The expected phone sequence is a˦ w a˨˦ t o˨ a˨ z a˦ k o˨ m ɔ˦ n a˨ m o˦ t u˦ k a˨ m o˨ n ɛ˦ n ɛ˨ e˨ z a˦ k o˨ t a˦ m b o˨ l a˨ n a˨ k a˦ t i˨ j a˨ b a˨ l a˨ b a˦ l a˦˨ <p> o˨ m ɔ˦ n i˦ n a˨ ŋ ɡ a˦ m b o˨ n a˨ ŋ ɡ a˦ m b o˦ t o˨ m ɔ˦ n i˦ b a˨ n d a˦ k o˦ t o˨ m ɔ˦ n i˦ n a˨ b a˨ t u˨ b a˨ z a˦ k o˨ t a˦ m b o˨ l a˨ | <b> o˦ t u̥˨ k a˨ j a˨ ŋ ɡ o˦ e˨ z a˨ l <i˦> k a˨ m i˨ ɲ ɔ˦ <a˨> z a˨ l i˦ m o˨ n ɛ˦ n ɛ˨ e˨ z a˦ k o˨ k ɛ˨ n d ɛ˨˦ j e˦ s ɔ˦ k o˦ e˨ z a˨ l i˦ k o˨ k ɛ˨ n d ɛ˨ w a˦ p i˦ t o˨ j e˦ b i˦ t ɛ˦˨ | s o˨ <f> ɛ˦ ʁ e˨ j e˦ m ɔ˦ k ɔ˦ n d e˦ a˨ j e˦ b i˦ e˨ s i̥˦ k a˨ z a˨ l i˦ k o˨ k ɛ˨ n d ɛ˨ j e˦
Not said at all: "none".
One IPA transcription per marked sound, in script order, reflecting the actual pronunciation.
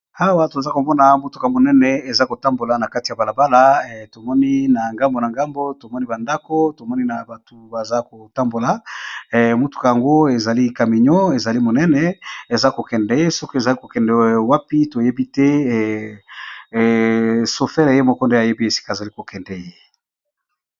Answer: t, m, i˦, e˨, f

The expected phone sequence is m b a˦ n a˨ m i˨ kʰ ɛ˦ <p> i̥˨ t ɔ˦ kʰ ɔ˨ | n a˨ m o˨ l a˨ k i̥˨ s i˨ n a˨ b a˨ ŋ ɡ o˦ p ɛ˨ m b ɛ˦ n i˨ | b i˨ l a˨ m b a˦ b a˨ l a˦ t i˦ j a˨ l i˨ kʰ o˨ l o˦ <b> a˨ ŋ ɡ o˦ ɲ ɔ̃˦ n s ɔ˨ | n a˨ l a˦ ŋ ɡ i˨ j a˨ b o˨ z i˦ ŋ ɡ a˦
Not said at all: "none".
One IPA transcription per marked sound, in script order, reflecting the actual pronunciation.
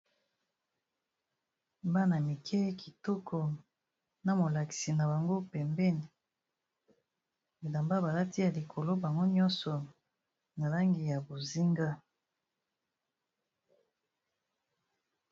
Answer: k, b

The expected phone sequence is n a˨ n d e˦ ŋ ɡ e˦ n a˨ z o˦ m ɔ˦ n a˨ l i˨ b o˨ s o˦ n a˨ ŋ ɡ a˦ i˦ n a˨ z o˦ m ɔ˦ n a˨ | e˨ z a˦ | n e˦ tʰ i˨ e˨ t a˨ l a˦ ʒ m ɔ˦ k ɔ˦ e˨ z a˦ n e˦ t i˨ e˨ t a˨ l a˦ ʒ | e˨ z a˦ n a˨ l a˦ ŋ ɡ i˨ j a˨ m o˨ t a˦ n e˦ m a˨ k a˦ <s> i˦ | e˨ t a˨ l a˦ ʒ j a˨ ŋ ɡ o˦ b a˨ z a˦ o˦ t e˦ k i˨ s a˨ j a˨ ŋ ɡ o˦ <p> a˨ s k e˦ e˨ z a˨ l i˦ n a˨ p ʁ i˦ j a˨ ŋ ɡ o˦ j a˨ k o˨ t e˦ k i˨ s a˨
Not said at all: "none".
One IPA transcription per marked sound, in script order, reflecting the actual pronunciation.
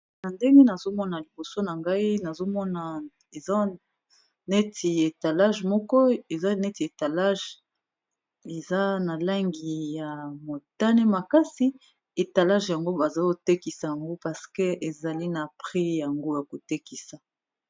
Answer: s, p

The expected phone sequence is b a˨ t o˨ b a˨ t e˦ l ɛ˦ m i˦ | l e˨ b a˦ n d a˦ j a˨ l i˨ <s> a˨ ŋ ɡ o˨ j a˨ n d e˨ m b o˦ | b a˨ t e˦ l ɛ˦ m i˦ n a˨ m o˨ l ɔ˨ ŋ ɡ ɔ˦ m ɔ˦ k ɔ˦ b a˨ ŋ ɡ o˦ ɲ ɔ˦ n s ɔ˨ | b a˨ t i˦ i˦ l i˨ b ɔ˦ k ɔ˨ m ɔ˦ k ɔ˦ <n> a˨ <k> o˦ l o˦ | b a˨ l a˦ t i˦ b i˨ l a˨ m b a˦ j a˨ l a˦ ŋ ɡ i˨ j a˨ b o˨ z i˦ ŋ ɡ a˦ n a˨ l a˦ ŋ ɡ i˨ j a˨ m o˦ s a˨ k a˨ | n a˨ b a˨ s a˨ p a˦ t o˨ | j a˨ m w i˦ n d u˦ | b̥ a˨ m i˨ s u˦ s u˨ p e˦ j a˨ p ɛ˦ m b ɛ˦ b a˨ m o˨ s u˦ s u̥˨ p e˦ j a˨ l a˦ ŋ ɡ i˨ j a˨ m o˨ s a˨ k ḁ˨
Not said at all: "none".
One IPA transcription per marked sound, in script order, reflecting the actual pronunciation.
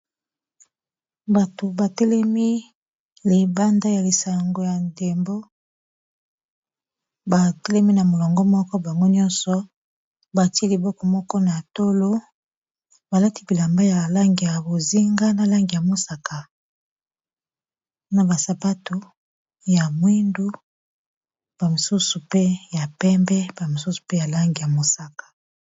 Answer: s, n, t

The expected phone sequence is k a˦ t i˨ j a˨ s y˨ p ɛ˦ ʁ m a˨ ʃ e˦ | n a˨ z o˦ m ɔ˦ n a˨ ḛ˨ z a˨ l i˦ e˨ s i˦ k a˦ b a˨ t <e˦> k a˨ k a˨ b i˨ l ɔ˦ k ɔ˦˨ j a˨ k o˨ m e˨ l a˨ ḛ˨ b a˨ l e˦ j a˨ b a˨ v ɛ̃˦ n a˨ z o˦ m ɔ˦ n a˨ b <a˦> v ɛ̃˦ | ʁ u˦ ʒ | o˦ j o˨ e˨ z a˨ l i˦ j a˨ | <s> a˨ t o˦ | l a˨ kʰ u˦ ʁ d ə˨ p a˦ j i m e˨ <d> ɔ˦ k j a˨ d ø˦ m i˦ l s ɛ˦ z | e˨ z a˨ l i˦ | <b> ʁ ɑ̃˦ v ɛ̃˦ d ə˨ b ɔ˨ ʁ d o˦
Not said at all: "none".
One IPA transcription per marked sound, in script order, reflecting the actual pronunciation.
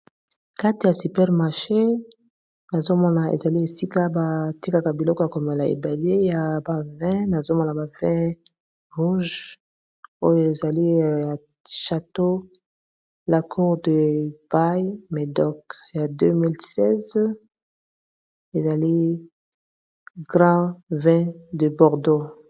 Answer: i˦, a˨, ʃ, d, ɡ

